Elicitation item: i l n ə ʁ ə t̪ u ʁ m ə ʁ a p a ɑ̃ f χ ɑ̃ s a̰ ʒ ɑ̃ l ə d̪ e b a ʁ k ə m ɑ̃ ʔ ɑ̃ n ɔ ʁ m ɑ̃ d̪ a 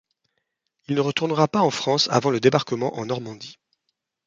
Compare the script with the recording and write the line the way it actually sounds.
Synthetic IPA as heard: i l n ə ʁ ə t̪ u ʁ n ə ʁ a p a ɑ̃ f χ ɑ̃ s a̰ v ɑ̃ l ə d̪ e b a ʁ k ə m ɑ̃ ʔ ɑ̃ n ɔ ʁ m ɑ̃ d̪ i